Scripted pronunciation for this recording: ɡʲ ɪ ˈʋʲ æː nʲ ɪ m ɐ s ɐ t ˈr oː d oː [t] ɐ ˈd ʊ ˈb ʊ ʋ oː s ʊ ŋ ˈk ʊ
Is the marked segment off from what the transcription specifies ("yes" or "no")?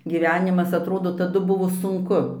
no